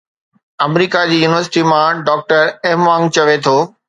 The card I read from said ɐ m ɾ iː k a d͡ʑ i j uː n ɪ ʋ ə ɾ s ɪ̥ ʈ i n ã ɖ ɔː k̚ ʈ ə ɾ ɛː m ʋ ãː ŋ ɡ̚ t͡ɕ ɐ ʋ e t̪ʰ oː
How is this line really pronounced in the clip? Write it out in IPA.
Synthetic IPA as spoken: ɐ m ɾ iː k a d͡ʑ iː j uː n ɪ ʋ ə ɾ s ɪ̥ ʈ i m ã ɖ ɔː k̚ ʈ ə ɾ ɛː m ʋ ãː ŋ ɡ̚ t͡ɕ ɐ ʋ e t̪ʰ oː